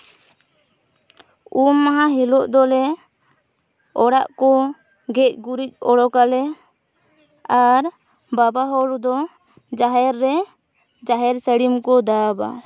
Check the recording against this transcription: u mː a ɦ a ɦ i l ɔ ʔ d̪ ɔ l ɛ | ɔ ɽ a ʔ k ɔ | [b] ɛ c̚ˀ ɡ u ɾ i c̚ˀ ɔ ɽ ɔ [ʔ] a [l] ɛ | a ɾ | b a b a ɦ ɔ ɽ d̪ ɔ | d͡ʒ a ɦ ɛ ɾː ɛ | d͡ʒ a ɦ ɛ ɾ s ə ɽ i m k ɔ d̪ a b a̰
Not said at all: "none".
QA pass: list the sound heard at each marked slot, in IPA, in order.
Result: ɡ, k, l

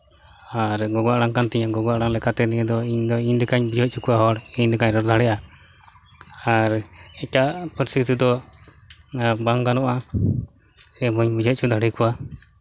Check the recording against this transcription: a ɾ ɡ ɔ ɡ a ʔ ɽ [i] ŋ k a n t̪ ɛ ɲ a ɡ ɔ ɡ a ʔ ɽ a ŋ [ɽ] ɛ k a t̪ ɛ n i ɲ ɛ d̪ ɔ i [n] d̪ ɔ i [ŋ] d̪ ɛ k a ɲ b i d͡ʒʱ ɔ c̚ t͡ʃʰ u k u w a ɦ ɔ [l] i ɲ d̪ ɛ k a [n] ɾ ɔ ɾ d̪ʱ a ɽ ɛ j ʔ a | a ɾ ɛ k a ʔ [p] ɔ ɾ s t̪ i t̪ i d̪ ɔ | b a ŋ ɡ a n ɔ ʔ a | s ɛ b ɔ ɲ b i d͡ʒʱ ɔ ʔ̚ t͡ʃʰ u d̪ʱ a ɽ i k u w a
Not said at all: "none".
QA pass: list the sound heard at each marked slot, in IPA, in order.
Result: a, l, ɲ, ɲ, ɽ, ɲ, p

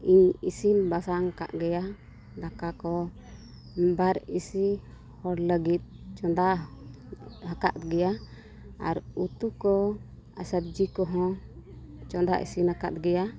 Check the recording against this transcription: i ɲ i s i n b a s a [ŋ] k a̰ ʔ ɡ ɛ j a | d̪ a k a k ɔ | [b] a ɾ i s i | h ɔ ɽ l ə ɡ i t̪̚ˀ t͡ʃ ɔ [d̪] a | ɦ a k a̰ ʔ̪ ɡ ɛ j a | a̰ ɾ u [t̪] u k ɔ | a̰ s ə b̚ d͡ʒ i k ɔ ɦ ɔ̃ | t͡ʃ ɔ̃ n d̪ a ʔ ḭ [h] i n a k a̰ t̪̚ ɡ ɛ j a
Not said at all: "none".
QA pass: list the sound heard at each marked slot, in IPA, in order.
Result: ŋ, b, d̪, t̪, s

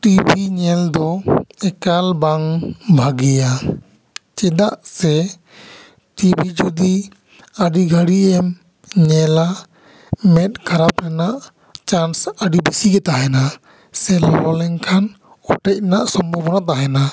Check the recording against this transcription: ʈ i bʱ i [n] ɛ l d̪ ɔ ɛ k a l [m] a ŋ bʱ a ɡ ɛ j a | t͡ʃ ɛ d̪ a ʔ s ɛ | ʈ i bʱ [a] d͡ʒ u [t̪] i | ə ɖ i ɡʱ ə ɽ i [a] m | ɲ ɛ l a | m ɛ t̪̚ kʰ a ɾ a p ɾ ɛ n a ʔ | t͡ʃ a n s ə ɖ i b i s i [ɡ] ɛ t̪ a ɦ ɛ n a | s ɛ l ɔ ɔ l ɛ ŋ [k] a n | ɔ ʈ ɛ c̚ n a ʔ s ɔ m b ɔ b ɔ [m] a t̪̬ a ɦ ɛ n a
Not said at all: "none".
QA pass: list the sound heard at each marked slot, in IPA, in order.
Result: ɲ, b, i, d̪, ɛ, ɡ, kʰ, n

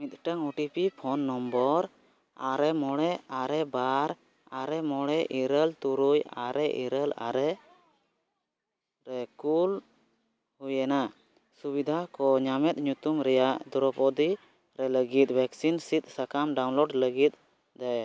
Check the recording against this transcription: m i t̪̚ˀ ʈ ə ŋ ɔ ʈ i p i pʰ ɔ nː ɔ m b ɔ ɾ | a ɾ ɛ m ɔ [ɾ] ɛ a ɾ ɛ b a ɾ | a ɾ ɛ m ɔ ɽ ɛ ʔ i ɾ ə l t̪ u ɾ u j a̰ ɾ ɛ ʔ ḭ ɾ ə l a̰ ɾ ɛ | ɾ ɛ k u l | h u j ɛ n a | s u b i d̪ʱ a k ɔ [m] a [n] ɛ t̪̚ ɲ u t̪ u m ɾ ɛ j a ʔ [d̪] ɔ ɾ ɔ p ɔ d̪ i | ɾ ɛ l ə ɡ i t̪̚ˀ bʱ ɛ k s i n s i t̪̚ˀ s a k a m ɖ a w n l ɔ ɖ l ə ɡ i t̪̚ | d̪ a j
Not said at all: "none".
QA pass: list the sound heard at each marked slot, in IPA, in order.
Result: ɽ, ɲ, m, d̪

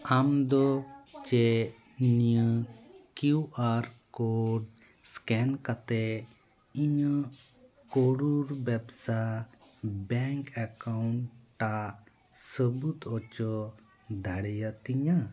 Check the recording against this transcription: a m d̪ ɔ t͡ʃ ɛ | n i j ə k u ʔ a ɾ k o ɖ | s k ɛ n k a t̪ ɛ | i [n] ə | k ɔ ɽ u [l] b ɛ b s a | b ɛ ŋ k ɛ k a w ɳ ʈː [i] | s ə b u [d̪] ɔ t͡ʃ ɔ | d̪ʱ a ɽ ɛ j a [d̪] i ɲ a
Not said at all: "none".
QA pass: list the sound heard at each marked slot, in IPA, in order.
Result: ɲ, ɾ, a, t̪, t̪

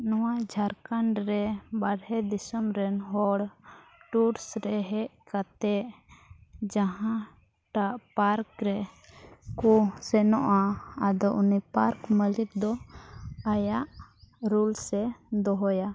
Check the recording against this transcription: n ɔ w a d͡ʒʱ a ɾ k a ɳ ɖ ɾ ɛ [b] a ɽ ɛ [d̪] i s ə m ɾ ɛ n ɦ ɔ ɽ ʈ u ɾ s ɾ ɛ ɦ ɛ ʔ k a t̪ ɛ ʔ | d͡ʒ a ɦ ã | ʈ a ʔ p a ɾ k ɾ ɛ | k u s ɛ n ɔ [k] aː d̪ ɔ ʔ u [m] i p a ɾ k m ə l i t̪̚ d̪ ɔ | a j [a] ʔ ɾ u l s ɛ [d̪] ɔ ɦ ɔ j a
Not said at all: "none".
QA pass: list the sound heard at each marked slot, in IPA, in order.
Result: b, d̪, ʔ, n, a, d̪

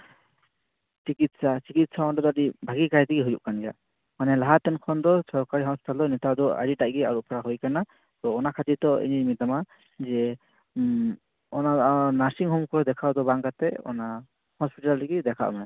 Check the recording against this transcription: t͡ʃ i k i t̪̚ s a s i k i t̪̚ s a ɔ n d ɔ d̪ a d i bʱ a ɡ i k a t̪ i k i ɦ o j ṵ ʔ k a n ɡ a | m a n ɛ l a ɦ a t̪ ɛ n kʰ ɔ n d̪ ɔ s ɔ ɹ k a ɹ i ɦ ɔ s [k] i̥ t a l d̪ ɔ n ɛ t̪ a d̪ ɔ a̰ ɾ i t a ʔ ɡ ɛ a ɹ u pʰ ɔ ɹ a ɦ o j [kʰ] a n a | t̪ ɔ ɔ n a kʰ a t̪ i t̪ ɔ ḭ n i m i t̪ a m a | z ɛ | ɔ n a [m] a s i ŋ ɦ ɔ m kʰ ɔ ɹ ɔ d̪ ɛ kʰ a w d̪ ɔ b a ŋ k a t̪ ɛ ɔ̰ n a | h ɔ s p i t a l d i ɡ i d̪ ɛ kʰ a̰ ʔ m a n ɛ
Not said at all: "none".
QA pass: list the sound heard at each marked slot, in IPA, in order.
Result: p, k, n

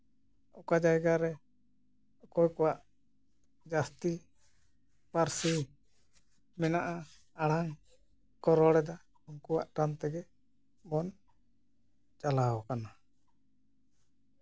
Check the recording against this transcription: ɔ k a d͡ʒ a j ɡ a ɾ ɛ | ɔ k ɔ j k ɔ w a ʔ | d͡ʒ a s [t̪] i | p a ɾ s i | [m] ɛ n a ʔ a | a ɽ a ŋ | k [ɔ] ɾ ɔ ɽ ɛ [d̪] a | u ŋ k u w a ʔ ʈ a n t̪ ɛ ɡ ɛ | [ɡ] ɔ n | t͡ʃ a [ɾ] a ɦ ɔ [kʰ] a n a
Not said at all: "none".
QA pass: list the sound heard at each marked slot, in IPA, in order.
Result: t̪, m, ɔ, d̪, b, l, k

